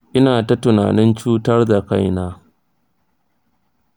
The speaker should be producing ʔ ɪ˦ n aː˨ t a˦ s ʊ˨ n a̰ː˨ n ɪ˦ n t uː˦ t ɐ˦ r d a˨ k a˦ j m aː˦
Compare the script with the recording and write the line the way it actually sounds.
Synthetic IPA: ʔ ɪ˦ n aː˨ t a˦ t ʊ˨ n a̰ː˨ n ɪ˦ n t͡ʃ uː˦ t ɐ˦ r d a˨ k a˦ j n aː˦